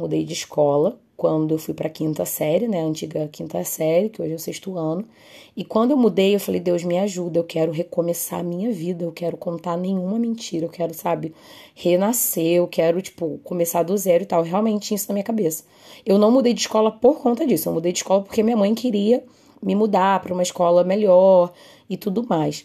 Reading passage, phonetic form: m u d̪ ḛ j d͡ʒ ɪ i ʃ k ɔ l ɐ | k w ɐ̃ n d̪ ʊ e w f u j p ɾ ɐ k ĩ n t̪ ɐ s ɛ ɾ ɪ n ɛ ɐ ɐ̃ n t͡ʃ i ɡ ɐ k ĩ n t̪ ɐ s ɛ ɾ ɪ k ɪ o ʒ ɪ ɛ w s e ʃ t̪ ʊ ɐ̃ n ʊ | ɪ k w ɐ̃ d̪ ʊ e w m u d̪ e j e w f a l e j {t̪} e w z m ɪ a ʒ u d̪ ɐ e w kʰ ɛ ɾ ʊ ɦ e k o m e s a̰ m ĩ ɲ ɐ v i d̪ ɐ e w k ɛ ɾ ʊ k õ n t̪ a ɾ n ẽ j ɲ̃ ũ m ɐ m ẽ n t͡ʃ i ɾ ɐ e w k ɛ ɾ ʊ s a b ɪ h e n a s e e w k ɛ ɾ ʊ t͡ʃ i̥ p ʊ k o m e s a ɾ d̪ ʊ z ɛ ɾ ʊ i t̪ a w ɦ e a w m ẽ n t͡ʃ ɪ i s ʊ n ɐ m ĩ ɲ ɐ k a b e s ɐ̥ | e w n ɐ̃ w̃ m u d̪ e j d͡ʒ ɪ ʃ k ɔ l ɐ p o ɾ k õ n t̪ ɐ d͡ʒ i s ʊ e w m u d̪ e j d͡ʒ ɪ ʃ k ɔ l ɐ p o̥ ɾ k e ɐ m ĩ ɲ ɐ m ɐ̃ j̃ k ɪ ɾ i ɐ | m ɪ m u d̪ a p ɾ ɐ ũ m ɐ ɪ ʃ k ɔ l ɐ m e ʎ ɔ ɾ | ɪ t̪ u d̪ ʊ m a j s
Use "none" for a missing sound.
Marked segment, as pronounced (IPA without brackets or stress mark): d̪